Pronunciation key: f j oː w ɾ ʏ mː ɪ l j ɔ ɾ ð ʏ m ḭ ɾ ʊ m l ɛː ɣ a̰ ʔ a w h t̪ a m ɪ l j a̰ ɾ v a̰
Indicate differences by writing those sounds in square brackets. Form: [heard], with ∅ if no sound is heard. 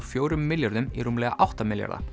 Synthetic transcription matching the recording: f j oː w ɾ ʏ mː ɪ l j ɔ ɾ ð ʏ m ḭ ɾ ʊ m l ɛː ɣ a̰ ʔ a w h t̪ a m ɪ l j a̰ ɾ [ð] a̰